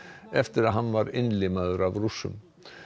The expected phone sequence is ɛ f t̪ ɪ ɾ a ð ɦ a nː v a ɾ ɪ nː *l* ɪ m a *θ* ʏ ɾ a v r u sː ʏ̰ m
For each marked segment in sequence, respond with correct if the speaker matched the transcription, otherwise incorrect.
correct, incorrect: ð

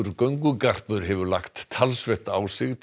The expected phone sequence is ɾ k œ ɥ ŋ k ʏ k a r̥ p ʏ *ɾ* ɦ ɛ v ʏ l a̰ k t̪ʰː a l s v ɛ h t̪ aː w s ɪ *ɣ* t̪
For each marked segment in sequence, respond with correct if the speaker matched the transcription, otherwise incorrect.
correct, correct

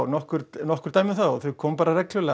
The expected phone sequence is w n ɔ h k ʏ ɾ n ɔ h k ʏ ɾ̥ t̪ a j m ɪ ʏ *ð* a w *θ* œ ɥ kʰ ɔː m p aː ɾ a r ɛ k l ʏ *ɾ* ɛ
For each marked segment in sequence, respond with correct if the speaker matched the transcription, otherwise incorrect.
incorrect: θ, correct, incorrect: l

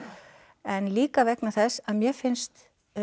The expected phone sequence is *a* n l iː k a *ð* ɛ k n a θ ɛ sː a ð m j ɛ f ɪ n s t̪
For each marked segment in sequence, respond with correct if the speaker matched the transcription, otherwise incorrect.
incorrect: ɛ, incorrect: v

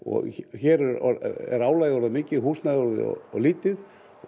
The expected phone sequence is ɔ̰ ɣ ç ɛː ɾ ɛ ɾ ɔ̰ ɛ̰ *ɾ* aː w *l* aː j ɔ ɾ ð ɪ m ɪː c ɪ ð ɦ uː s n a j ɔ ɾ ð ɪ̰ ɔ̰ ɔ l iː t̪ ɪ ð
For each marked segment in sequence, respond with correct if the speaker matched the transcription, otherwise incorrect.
correct, correct

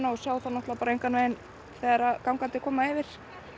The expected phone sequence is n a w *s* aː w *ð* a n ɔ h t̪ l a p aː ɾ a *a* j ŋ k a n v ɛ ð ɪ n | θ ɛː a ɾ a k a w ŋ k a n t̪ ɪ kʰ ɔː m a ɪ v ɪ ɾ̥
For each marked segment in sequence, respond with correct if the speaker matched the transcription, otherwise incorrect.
correct, incorrect: θ, incorrect: e

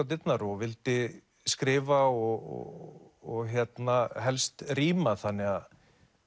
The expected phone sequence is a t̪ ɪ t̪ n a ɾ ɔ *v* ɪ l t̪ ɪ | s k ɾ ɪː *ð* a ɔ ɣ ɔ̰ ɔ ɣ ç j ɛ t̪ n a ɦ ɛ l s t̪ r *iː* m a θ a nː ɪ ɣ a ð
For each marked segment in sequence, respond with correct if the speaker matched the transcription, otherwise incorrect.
correct, incorrect: v, correct

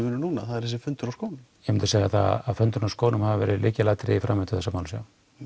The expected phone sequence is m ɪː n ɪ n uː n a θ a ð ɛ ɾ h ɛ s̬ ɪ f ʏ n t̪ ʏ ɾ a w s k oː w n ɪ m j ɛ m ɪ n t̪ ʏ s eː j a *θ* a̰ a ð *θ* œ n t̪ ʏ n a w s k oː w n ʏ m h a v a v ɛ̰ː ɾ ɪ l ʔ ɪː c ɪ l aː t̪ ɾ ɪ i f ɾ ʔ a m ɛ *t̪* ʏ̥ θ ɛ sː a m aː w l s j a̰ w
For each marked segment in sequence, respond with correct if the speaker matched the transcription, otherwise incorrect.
correct, incorrect: f, correct

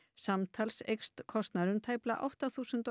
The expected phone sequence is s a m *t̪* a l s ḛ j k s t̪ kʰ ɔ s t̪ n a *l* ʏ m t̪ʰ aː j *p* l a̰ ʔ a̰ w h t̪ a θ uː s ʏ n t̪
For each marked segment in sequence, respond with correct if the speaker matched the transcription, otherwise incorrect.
incorrect: t̪ʰ, incorrect: ɾ, correct

